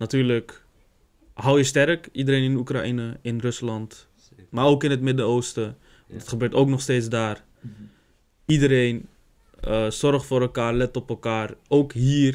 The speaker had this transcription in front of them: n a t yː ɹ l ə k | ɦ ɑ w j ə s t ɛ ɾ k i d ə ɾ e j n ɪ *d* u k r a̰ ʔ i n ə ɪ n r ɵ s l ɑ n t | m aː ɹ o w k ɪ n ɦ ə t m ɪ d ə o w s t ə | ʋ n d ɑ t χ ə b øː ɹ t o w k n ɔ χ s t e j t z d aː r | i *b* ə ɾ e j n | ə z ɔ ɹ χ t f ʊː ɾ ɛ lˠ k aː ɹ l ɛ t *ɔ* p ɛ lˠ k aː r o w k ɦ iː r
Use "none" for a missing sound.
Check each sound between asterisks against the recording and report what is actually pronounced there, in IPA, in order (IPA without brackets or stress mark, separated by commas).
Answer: n, d, ɔ